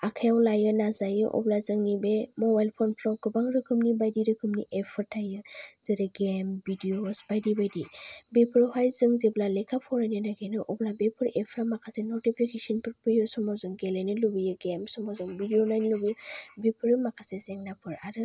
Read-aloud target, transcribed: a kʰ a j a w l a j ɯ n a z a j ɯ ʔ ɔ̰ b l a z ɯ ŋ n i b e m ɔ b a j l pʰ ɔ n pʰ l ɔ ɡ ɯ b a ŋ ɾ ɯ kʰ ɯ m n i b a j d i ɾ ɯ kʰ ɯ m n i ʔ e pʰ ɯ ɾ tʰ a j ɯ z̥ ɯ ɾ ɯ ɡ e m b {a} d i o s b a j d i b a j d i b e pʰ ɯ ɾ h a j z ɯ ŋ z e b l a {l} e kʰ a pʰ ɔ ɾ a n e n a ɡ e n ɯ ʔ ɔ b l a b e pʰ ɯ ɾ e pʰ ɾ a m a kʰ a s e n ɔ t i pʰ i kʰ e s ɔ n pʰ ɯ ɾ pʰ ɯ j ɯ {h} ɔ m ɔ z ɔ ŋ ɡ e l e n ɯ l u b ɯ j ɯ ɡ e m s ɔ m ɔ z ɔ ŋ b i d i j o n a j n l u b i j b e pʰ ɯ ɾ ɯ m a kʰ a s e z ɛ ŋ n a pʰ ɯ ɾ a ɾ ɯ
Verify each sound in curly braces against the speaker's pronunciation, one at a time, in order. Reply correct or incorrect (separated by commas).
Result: incorrect, correct, incorrect